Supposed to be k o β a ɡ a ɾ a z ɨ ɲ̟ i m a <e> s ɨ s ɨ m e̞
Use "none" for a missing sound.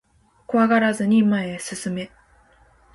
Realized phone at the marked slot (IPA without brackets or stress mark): e